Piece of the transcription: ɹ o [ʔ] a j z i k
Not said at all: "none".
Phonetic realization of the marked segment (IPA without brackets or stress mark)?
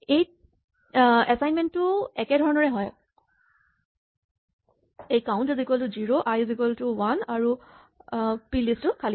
ʔ